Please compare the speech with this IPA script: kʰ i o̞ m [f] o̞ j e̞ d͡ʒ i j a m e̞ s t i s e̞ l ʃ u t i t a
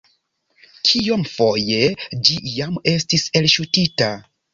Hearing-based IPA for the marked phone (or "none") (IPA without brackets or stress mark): f